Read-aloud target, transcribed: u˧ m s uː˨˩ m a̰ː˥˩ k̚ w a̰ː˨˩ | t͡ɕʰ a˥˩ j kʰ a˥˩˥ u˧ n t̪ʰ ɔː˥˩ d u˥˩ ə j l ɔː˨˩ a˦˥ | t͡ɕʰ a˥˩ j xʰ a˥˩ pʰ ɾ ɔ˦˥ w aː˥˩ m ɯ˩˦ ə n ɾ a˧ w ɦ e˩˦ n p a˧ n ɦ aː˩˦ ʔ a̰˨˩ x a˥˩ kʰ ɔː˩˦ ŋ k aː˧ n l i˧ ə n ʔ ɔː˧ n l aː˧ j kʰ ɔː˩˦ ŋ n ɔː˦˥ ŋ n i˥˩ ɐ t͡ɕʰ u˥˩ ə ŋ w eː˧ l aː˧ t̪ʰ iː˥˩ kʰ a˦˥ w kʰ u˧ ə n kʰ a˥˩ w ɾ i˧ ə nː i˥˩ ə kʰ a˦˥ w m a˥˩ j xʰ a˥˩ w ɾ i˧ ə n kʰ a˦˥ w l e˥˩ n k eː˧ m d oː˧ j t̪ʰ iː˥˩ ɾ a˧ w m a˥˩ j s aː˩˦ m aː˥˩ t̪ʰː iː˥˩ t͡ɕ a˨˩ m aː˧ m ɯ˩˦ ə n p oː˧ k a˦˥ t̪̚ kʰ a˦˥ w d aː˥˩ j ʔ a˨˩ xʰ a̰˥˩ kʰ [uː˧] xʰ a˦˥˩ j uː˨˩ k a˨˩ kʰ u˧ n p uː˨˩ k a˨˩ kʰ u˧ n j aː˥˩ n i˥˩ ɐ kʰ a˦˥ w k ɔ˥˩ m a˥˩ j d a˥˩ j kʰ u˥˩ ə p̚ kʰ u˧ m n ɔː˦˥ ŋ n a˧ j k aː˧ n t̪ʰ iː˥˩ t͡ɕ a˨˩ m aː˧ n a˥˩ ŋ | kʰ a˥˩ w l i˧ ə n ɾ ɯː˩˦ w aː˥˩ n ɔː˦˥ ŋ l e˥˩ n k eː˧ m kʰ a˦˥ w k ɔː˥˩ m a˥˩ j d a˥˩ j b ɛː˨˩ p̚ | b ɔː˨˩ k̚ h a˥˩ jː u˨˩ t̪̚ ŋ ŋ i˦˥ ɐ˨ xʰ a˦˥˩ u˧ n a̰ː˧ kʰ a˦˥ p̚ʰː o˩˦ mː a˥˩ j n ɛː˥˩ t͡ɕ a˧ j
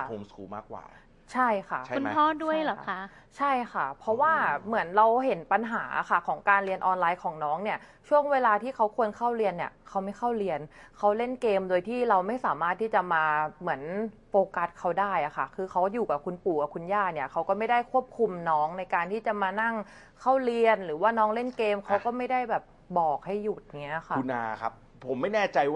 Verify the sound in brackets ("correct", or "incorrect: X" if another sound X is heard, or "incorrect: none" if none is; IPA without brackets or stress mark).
incorrect: ɯː˧